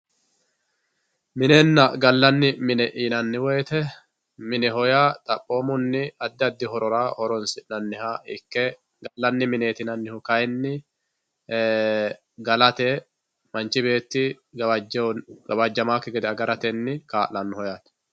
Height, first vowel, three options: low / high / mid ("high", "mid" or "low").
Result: high